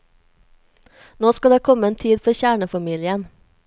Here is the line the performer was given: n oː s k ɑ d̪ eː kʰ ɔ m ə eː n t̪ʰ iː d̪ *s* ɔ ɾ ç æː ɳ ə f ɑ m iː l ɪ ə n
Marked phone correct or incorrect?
incorrect